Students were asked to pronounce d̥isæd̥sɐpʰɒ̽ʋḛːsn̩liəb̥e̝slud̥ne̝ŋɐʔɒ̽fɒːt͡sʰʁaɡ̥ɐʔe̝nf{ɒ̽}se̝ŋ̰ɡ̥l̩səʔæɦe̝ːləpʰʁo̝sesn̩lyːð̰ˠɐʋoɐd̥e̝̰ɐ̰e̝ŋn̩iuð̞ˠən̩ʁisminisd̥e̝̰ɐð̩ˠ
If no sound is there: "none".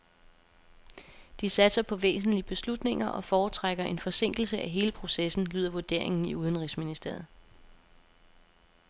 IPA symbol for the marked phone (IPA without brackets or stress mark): ɒ̽